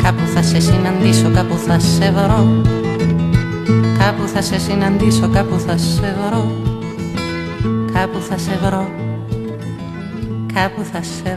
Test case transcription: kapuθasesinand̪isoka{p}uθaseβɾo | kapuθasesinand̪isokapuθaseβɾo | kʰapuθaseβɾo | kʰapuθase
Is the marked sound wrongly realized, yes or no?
no